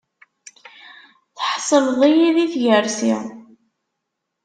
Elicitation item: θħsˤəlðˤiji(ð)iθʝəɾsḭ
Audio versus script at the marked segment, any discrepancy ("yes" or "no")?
no